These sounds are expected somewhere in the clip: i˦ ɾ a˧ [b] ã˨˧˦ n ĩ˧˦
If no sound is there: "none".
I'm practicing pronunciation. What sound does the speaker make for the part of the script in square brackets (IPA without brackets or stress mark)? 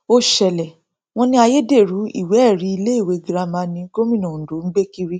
m